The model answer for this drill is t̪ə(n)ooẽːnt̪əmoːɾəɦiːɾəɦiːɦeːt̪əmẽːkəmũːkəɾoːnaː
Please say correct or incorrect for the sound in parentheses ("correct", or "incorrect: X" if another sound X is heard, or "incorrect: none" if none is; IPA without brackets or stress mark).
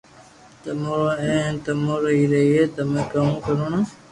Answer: incorrect: m